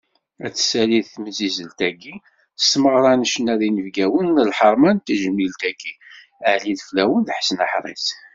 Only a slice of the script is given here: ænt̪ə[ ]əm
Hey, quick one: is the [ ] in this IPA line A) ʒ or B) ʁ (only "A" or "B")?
A